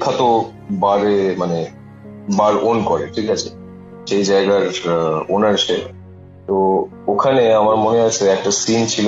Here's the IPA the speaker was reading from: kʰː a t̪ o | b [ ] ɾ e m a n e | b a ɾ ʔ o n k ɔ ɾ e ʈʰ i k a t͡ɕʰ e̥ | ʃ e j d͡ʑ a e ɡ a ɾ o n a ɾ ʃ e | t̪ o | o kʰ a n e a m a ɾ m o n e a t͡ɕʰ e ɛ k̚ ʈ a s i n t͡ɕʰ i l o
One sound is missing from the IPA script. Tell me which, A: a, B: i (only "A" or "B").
A